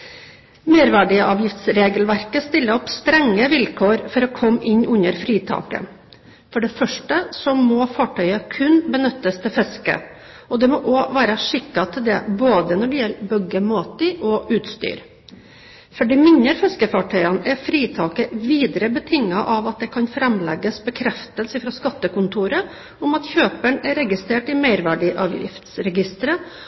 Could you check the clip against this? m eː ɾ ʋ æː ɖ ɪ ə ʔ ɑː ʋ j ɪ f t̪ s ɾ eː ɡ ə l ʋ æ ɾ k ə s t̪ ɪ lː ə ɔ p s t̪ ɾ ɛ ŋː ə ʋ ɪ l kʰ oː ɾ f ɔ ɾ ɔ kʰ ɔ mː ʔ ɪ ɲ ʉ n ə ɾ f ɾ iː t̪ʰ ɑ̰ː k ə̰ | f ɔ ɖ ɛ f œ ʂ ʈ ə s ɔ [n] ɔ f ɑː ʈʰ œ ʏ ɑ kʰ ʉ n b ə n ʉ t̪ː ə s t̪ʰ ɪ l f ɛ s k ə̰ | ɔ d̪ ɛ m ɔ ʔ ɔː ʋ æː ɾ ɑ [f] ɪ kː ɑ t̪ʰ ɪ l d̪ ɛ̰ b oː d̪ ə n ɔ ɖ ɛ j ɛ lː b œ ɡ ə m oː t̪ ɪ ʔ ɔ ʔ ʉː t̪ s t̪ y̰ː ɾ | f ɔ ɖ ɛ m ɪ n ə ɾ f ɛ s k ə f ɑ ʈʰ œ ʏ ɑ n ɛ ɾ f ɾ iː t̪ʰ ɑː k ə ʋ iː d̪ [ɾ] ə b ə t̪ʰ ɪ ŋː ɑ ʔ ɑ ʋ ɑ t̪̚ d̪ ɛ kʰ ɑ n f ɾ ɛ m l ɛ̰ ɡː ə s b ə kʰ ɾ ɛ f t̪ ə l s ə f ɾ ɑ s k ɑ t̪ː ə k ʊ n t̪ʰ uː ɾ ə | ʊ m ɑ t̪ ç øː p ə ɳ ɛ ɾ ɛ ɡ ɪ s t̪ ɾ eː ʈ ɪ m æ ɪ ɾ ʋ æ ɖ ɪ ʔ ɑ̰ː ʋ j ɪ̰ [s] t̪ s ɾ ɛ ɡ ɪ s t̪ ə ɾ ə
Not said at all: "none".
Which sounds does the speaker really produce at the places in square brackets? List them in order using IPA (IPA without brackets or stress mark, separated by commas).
m, ʂ, ɾ, f